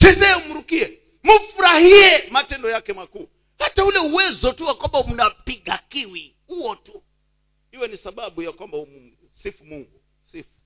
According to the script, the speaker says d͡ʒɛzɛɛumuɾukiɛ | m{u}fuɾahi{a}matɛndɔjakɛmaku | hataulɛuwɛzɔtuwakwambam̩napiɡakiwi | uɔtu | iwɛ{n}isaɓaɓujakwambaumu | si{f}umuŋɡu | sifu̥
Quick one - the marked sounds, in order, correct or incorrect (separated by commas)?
correct, incorrect, correct, correct